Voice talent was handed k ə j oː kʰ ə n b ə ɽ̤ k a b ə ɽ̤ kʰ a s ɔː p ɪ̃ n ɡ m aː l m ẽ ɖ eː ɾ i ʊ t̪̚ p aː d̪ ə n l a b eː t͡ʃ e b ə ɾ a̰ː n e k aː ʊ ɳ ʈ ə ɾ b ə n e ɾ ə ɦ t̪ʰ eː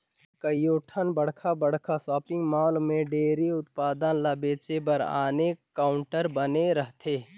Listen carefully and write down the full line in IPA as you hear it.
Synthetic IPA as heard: k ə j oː ʈʰ ə n b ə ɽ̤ kʰ a b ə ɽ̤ kʰ a s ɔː p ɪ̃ ŋ ɡ m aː l m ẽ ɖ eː ɾ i ʊ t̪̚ p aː d̪ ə n l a b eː t͡ʃ e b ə ɾ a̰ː n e k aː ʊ ɳ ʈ ə ɾ b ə n e ɾ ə ɦ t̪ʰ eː

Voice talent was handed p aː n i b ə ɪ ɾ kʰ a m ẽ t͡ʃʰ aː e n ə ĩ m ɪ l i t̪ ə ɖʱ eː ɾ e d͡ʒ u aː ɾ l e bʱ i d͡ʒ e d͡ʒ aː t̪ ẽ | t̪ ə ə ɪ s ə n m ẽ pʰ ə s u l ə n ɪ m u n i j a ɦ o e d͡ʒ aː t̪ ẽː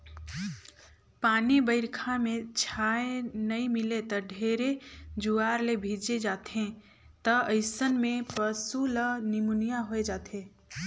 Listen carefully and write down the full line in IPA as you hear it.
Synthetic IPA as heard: p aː n i b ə ɪ ɾ kʰ a m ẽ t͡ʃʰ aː e n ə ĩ m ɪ l e t̪ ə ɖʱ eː ɾ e d͡ʒ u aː ɾ l e bʱ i d͡ʒ e d͡ʒ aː t̪ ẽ | t̪ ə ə ɪ s ə n m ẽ p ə s u l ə n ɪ m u n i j a ɦ o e d͡ʒ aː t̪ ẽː

